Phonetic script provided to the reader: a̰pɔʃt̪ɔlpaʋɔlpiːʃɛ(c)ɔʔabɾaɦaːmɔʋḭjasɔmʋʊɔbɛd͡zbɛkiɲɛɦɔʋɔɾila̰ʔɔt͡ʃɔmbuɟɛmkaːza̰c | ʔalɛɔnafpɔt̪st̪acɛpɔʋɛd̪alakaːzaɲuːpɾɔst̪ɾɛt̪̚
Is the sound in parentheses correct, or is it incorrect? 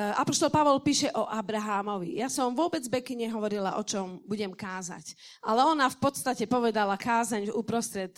incorrect